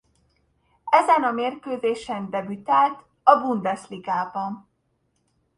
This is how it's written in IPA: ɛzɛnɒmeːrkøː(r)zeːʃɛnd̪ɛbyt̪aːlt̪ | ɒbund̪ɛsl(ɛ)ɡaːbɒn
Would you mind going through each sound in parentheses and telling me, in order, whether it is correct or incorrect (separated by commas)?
incorrect, incorrect